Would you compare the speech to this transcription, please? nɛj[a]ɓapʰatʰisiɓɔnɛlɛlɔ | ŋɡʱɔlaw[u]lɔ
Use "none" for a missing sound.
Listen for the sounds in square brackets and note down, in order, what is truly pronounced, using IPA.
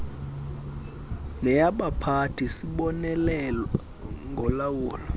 a, uː

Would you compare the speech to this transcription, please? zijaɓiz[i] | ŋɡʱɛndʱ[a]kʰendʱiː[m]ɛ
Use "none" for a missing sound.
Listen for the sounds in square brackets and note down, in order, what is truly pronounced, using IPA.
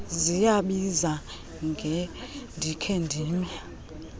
a, i, m

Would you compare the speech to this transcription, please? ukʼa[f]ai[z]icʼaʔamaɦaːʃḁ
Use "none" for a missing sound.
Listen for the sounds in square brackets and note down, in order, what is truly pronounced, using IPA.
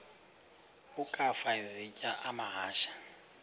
f, z

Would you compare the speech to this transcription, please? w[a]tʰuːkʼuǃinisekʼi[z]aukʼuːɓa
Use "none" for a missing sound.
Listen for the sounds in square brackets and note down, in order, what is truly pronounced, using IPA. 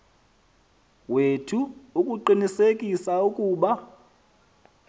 e, s

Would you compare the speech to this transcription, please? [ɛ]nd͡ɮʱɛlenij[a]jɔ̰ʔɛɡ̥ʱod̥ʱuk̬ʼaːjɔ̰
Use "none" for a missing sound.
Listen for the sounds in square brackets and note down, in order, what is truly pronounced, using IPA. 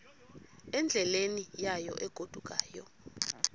ɛ, a

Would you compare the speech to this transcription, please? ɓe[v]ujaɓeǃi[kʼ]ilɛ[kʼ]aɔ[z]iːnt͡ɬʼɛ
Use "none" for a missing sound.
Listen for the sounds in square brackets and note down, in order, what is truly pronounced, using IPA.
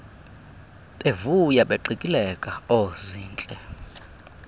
v, kʼ, kʼ, z

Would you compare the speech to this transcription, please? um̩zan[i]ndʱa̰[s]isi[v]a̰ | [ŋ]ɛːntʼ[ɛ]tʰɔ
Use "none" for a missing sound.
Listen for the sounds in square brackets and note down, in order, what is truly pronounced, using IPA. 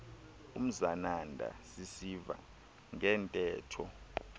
a, s, v, ŋ, ɛː

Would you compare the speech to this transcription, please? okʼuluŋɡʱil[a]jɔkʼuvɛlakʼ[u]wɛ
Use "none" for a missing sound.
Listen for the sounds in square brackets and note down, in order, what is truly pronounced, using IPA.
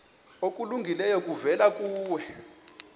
ɛ, uː

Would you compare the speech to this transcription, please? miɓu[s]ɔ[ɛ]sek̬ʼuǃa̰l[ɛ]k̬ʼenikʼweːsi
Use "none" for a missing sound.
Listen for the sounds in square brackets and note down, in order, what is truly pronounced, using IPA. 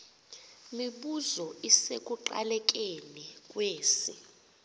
z, i, ɛ

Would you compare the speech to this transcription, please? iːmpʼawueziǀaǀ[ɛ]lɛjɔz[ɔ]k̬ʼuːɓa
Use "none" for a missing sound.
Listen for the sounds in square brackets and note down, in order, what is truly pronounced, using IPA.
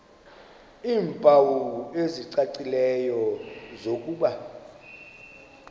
i, o

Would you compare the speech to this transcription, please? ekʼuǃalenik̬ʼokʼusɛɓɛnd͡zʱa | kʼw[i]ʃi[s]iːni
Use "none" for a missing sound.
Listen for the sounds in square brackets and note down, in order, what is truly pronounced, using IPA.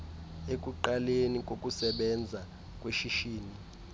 e, ʃ

